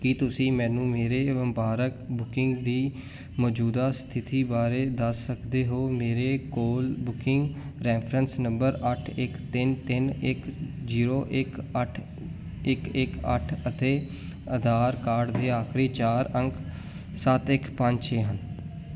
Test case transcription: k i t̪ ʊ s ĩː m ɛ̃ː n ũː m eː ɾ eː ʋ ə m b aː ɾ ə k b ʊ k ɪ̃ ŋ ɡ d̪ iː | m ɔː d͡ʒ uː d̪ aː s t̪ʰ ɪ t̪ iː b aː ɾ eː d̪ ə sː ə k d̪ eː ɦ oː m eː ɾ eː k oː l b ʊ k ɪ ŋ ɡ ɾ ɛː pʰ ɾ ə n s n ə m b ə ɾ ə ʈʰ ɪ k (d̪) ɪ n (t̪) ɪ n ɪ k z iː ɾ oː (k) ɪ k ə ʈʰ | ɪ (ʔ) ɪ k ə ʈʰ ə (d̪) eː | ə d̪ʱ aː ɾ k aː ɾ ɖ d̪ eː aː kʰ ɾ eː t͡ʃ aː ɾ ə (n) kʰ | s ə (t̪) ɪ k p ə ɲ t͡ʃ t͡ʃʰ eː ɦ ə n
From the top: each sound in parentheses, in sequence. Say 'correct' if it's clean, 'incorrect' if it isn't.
incorrect, correct, incorrect, incorrect, incorrect, incorrect, correct

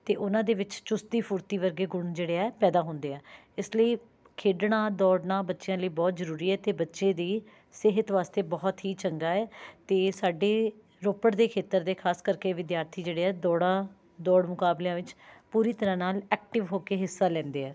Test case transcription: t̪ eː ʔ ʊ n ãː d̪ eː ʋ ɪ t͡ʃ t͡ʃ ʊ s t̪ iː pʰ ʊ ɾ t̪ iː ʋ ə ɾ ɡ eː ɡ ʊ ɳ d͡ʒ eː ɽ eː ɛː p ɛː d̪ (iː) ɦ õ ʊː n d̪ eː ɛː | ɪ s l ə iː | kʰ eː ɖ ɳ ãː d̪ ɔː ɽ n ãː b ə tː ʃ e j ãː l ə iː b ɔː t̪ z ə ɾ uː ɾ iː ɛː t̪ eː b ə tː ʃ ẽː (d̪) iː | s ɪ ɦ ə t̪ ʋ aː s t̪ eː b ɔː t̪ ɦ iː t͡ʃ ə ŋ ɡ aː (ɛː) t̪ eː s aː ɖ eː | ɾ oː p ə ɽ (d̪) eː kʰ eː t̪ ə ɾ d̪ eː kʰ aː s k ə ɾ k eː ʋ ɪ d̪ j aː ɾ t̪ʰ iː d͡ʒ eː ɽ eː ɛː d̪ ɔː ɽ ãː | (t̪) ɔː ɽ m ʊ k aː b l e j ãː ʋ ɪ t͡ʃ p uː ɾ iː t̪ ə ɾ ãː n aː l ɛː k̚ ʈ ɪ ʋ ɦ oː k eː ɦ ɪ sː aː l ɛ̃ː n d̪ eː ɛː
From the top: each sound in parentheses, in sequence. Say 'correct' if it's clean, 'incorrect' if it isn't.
incorrect, correct, correct, correct, incorrect

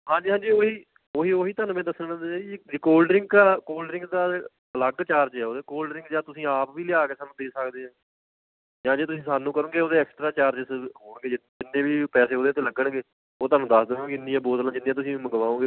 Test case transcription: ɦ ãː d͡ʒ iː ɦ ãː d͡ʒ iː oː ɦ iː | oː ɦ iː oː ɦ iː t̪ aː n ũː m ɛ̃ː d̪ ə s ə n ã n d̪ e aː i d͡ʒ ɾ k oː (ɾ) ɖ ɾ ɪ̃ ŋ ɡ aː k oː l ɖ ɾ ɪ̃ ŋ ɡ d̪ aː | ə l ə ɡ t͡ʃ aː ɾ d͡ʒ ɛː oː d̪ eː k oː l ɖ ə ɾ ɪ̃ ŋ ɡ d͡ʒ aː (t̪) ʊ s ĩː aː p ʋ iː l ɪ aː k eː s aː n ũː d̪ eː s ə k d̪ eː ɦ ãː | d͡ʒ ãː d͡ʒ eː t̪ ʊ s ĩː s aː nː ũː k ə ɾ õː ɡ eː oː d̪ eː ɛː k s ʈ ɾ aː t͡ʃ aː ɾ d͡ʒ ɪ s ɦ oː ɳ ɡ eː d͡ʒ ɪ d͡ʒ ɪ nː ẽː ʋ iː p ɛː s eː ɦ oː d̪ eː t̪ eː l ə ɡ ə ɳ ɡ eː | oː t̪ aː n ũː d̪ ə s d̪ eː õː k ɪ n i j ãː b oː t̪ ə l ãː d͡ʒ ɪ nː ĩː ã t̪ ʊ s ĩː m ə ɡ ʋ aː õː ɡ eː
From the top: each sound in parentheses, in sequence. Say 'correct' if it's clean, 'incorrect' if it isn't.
incorrect, correct

